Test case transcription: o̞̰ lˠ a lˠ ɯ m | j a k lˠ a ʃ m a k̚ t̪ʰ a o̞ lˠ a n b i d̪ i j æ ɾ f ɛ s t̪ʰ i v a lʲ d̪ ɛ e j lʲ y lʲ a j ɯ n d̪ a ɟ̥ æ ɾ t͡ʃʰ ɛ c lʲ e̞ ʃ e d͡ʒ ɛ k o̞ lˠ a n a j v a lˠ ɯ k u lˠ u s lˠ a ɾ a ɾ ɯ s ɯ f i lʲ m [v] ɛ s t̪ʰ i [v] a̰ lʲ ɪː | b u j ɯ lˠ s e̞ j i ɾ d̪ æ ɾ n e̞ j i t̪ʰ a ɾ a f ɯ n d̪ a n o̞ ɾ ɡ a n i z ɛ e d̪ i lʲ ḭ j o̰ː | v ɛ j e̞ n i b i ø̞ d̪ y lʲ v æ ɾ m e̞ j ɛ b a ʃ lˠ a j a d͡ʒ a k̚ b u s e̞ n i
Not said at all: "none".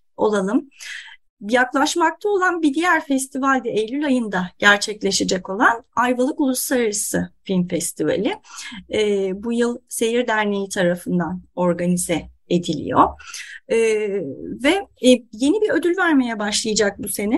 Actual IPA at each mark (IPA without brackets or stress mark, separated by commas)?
f, v